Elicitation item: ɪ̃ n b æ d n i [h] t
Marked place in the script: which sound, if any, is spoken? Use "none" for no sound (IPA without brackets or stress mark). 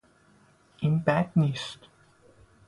s